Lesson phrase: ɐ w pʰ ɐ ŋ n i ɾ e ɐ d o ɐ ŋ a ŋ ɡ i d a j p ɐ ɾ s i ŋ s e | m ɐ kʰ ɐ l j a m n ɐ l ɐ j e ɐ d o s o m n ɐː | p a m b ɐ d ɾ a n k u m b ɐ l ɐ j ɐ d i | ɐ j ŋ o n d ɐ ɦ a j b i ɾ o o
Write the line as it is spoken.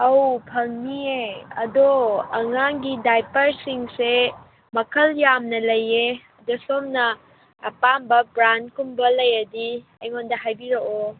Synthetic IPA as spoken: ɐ w pʰ ɐ ŋ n i e ɐ d o ɐ ŋ a ŋ ɡ i d a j p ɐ ɾ s i ŋ s e | m ɐ kʰ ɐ l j a m n ɐ l ɐ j e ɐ d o s o m n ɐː | p a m b ɐ b ɾ a n k u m b ɐ l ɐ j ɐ d i | ɐ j ŋ o n d ɐ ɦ a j b i ɾ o o